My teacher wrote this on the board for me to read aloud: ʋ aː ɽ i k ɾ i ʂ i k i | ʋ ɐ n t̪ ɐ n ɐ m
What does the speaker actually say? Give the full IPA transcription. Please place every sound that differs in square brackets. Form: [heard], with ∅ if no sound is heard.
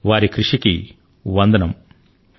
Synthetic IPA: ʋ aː [ɾ] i k ɾ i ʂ i k i | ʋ ɐ n [d̪] ɐ n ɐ m